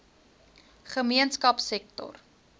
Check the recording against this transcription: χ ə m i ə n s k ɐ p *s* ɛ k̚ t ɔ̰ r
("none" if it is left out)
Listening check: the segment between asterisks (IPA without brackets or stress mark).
s